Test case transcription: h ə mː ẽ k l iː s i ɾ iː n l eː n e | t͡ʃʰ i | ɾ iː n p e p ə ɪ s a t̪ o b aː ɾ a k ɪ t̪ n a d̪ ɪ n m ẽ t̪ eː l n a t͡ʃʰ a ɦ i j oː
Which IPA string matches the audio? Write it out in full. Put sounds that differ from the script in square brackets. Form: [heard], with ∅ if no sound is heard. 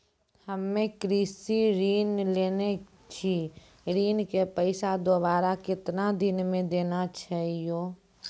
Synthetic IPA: h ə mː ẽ k [ɾ] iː s i ɾ iː n l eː n e | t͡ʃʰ i | ɾ iː n [k] e p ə ɪ s a [d̪] o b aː ɾ a k ɪ t̪ n a d̪ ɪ n m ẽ [d̪] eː [∅] n a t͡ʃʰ a ɦ i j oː